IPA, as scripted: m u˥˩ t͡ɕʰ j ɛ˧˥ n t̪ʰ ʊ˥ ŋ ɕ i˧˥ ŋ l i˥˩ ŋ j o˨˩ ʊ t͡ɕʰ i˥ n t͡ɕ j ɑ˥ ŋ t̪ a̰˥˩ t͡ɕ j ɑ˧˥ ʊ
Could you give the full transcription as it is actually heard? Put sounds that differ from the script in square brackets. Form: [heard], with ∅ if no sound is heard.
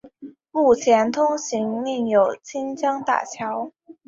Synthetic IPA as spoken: m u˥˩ t͡ɕʰ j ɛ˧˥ n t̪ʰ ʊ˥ ŋ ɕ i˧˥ ŋ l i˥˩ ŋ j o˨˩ ʊ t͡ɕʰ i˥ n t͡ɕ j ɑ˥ ŋ t̪ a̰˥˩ [t͡ɕʰ] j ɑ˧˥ ʊ